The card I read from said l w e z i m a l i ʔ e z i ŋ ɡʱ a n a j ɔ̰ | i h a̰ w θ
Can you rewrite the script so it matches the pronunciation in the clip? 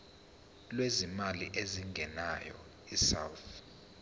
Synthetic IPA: l w e z i m a l i ʔ e z i ŋ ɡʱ ɛ n a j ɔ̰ | i s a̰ w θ

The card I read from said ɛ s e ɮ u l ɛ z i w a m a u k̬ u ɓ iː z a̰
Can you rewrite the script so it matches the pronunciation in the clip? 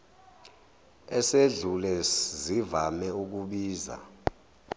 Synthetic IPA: ɛ s e ɮ u l ɛ z i v a m ɛ u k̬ u ɓ iː z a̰

